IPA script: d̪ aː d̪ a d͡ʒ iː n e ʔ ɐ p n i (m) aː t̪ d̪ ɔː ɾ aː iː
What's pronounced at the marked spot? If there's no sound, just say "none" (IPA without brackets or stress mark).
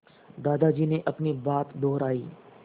b